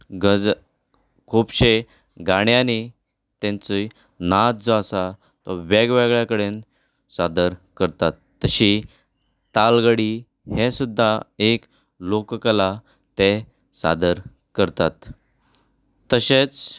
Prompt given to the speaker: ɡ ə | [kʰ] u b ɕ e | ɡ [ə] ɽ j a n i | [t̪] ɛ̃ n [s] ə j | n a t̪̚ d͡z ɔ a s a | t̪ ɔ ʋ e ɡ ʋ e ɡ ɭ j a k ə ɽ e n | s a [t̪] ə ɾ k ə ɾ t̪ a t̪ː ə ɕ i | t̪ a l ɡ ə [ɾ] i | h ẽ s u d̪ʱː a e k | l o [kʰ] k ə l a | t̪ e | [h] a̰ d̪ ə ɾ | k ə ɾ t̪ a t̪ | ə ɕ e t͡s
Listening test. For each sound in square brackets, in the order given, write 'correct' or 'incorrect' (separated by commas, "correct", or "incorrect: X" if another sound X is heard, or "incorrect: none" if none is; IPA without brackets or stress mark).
correct, incorrect: a, correct, incorrect: t͡s, incorrect: d̪, incorrect: ɽ, incorrect: k, incorrect: s